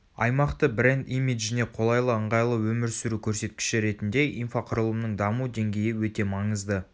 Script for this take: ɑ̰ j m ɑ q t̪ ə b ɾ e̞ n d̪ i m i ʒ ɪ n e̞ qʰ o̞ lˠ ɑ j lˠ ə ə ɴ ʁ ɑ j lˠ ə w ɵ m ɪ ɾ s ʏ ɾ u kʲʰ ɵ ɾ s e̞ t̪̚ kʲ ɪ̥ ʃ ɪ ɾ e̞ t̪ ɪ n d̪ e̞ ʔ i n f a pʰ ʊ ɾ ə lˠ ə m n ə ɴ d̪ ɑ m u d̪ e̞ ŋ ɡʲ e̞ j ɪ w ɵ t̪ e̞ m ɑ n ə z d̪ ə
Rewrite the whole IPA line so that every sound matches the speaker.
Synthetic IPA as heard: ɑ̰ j m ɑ q t̪ ə b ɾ e̞ n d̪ i m i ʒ ɪ n e̞ qʰ o̞ lˠ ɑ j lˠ ə ə ɴ ʁ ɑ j lˠ ə w ɵ m ɪ ɾ s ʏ ɾ u kʲʰ ɵ ɾ s e̞ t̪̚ kʲ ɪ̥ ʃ ɪ ɾ e̞ t̪ ɪ n d̪ e̞ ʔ i n f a qʰ ʊ ɾ ə lˠ ə m n ə ɴ d̪ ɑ m u d̪ e̞ ŋ ɡʲ e̞ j ɪ w ɵ t̪ e̞ m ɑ ɴ ə z d̪ ə